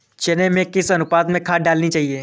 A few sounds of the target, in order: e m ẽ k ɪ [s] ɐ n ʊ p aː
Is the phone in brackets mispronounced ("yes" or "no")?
no